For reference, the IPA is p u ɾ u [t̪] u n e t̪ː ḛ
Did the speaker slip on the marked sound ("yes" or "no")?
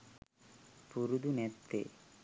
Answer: yes